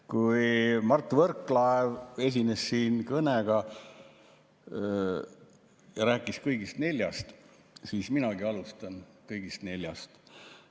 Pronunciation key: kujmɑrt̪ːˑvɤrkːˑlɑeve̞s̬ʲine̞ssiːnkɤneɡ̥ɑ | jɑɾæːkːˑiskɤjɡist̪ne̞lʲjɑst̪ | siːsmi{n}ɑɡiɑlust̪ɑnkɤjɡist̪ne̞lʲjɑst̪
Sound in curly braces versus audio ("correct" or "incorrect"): correct